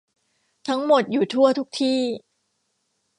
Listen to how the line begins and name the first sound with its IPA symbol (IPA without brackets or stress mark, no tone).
t̪ʰ